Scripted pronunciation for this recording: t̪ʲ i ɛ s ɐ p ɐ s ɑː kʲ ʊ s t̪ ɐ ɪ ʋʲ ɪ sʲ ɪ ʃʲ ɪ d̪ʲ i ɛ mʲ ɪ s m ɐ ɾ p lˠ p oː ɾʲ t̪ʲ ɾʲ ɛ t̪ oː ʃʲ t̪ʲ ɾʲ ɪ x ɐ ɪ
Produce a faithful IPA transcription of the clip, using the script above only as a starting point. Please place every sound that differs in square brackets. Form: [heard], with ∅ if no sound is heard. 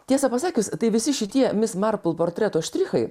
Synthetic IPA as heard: t̪ʲ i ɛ s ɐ p ɐ s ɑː kʲ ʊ s t̪ ɐ ɪ ʋʲ ɪ sʲ ɪ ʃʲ ɪ [t̪ʲ] i ɛ mʲ ɪ s m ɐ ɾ p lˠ p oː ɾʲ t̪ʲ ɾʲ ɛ t̪ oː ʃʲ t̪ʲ ɾʲ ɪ x ɐ ɪ